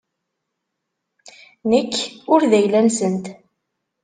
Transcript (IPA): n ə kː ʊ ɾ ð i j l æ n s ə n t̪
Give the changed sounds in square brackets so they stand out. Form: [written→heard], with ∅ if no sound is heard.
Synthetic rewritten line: n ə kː ʊ ɾ ð [i→æ] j l æ n s ə n t̪